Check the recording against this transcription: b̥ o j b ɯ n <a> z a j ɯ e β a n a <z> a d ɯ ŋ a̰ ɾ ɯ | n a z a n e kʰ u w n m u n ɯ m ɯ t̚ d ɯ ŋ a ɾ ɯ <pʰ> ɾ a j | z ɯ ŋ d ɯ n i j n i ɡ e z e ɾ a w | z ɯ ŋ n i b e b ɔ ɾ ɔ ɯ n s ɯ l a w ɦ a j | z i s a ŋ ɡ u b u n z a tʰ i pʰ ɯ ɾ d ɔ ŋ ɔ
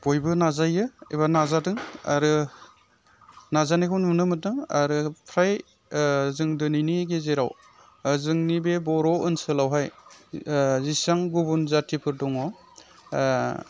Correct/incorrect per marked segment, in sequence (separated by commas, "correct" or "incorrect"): correct, correct, correct